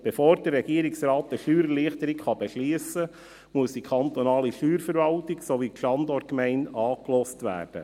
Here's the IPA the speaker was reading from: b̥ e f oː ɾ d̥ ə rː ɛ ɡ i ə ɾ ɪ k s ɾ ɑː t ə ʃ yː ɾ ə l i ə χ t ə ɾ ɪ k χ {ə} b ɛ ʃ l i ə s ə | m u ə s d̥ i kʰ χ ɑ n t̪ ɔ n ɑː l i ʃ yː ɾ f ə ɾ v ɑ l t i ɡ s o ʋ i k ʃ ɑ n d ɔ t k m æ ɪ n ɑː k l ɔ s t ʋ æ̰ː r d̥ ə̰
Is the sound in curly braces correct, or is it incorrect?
incorrect